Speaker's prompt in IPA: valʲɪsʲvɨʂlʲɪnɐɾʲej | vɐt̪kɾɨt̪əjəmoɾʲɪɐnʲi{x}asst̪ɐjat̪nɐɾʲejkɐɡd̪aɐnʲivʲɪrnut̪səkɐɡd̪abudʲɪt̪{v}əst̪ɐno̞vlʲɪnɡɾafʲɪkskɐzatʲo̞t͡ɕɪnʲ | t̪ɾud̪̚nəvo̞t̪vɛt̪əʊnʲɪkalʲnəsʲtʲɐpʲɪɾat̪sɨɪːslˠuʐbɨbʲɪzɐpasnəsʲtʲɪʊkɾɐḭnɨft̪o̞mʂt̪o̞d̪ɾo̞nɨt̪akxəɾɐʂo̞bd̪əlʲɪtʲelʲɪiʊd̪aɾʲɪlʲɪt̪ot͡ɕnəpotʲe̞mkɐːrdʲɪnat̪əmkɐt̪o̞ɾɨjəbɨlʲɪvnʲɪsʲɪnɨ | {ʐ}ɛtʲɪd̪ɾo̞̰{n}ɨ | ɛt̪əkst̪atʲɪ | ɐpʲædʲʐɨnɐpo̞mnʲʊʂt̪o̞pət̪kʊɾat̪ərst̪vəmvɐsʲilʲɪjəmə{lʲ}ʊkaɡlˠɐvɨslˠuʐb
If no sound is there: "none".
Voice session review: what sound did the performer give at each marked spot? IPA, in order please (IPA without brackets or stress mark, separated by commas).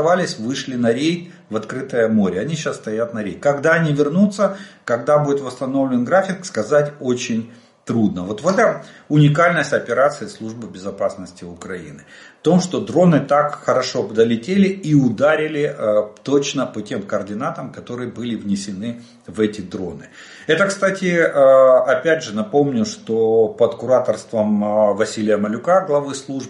ɕ, v, v, n, lʲ